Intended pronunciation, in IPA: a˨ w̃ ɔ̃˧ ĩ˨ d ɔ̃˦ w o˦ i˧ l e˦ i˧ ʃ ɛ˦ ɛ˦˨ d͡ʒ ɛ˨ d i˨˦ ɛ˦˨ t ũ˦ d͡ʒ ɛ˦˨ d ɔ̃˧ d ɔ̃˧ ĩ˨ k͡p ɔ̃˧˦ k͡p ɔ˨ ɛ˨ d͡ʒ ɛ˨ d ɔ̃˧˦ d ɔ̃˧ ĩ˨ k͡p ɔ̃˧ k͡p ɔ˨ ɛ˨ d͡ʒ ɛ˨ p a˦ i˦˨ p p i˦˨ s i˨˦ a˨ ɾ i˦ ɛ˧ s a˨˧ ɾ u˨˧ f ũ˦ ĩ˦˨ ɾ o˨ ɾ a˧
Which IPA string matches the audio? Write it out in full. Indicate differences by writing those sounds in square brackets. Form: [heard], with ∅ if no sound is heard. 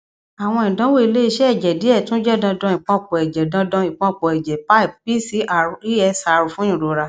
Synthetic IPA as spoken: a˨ w̃ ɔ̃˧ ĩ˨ d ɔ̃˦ w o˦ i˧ l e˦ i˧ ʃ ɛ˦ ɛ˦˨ d͡ʒ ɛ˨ d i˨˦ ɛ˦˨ t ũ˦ d͡ʒ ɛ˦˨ d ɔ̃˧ d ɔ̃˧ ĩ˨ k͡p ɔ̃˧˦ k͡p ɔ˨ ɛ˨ d͡ʒ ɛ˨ d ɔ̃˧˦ d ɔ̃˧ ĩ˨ k͡p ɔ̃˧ k͡p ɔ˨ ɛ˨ d͡ʒ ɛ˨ p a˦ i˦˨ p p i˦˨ s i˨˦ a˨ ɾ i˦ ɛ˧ s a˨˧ ɾ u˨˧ f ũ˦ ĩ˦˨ ɾ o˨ ɾ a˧